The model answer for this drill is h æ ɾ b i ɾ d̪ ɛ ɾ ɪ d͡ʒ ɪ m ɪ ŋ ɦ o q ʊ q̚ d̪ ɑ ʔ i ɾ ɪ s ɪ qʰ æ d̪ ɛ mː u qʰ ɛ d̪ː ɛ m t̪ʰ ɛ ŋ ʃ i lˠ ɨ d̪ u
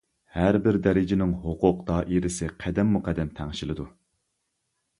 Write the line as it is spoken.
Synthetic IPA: h æ ɾ b ɪ ɾ d̪ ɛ ɾ ɪ d͡ʒ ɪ n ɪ ŋ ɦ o q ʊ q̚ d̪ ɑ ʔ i ɾ ɪ s ɪ qʰ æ d̪ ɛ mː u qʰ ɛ d̪ː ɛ m t̪ʰ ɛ ŋ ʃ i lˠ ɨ d̪ u